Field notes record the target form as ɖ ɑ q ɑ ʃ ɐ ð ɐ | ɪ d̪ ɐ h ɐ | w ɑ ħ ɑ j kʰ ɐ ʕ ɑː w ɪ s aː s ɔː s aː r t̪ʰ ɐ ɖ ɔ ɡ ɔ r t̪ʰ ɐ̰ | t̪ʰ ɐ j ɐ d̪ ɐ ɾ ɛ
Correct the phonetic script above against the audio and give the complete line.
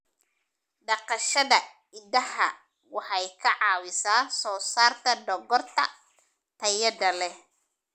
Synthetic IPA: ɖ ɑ q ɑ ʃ ɐ ð ɐ | ɪ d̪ ɐ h ɐ | w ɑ ħ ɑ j kʰ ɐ ʕ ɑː w ɪ s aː s ɔː s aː r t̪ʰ ɐ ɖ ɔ ɡ ɔ r t̪ʰ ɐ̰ | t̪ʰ ɐ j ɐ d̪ ɐ l ɛ